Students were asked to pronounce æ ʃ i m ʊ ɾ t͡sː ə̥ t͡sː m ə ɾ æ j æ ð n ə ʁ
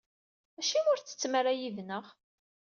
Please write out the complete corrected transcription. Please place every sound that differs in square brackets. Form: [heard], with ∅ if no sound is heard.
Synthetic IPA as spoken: æ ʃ i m ʊ ɾ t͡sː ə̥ t͡sː m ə ɾ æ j [i] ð n ə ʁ